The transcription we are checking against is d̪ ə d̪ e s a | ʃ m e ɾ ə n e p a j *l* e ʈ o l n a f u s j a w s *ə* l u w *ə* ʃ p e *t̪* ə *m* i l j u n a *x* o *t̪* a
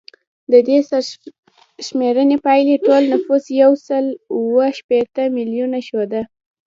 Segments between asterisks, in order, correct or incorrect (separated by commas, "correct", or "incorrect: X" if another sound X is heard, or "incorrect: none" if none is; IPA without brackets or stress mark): correct, correct, correct, correct, correct, incorrect: ʃ, incorrect: d̪